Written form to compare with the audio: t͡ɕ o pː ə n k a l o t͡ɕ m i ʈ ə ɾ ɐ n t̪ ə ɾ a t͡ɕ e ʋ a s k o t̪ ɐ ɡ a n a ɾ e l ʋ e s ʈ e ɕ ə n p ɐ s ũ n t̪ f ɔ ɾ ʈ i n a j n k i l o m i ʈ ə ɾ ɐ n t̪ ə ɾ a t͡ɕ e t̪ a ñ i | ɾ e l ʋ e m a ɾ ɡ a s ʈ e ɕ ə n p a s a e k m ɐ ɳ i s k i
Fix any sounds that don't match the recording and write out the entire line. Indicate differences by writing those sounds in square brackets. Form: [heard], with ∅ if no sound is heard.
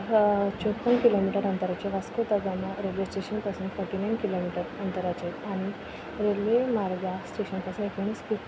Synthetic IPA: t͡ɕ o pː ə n k [i] l o [∅] m i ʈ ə ɾ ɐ n t̪ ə ɾ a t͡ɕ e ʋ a s k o t̪ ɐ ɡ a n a ɾ e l ʋ e s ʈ e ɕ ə n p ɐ s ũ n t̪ f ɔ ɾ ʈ i n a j n k i l o m i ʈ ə ɾ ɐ n t̪ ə ɾ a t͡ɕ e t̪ a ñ i | ɾ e l ʋ e m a ɾ ɡ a s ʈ e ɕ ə n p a s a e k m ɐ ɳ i s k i